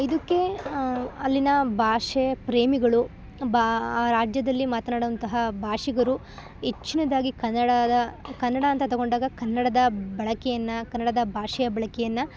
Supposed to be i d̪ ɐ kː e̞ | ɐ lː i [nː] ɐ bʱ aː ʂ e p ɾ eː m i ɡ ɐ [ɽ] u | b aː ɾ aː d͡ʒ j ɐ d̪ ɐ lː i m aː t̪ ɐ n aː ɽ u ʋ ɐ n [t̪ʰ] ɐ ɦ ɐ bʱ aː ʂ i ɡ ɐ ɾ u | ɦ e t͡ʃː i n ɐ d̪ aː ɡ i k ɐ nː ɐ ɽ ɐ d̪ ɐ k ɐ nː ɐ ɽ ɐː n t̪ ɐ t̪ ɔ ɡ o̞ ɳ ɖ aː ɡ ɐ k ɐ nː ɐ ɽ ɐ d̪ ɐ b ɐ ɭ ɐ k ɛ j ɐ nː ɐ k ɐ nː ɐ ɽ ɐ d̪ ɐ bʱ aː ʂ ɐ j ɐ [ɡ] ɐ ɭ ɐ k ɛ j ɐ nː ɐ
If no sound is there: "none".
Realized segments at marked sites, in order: n, ɭ, t̪, b

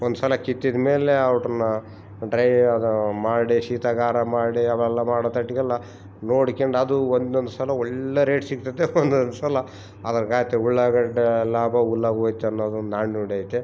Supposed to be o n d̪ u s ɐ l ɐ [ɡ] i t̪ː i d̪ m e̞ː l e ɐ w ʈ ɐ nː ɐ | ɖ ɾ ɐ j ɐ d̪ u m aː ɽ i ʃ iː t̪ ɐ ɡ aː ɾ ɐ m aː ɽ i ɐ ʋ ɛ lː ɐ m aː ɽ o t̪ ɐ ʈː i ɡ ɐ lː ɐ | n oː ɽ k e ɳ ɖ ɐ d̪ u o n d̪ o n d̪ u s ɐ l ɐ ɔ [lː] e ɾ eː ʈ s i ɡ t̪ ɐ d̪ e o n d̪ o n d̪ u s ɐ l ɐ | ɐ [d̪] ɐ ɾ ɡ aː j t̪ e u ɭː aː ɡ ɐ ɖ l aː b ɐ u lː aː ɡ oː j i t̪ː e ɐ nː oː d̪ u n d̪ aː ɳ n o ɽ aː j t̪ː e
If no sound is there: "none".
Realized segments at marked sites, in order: k, ɭː, d̪

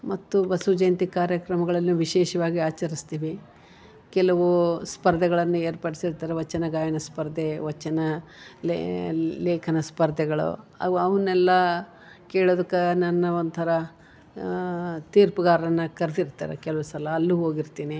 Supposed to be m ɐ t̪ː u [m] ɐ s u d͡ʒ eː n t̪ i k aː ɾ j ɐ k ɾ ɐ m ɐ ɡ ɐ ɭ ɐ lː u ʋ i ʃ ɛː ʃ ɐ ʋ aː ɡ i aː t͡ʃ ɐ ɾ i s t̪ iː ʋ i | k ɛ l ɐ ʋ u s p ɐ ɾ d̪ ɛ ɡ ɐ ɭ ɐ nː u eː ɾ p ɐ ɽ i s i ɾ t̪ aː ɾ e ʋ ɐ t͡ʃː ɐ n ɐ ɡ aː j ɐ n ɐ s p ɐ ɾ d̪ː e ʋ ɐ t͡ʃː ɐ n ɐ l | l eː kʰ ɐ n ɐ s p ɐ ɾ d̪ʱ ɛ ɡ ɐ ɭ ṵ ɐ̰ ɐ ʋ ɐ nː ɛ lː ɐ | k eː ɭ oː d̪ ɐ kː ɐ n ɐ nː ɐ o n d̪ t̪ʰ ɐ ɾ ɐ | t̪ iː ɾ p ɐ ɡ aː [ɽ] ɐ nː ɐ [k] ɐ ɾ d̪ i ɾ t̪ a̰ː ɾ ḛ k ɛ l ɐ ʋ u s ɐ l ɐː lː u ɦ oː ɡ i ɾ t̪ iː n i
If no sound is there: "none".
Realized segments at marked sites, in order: b, ɾ, k

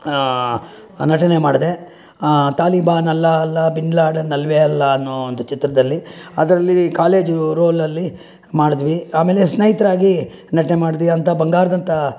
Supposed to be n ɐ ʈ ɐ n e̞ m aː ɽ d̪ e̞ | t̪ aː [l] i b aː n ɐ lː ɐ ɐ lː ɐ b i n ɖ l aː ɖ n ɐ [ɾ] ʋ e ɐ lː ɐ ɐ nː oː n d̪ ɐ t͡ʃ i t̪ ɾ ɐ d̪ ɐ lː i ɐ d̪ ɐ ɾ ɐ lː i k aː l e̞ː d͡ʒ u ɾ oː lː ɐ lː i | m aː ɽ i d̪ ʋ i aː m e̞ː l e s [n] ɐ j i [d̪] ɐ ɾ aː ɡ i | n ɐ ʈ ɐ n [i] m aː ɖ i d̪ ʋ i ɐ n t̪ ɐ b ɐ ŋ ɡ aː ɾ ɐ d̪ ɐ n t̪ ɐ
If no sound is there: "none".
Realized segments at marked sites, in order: l, l, n, t̪, e

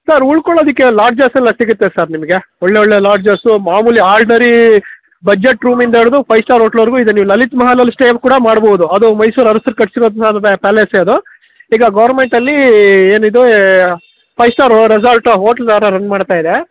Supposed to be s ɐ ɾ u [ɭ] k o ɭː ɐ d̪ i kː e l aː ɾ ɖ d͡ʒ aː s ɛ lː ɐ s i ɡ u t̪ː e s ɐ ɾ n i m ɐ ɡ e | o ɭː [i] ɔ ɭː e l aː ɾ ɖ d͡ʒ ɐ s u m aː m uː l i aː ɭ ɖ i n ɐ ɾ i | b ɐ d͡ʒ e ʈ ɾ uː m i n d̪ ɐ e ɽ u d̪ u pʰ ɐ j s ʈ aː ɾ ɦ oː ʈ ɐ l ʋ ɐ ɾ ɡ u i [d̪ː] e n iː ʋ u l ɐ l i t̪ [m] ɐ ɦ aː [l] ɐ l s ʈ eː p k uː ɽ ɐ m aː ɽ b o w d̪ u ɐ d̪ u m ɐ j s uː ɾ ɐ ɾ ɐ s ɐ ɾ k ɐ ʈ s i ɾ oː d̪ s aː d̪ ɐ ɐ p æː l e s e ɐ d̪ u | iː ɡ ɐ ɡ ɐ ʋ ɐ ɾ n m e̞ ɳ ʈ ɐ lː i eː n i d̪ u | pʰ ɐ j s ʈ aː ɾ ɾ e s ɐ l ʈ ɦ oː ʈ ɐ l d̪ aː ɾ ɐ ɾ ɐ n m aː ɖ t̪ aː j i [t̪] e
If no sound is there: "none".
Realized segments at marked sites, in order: ɭ, e, d̪, m, l, d̪

